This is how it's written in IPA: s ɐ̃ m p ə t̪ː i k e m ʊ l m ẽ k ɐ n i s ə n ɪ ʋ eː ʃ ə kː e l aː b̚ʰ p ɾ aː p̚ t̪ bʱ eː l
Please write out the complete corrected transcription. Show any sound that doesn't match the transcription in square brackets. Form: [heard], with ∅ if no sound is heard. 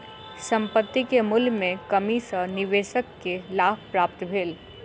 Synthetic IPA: s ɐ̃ m p ə t̪ː i k e m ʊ l m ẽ k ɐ [m] i s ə n ɪ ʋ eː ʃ ə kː e l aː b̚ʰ p ɾ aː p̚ t̪ bʱ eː l